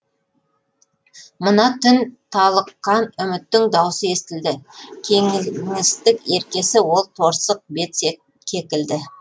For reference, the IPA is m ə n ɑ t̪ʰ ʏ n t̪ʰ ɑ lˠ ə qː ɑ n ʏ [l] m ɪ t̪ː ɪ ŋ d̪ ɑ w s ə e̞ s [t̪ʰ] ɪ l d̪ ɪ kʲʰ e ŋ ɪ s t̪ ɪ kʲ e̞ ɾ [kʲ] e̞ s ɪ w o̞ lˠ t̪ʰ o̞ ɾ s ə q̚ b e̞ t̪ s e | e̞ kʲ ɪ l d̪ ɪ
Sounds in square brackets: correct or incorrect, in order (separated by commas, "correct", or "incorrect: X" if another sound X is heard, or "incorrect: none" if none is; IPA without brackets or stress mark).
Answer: incorrect: none, incorrect: t̪, correct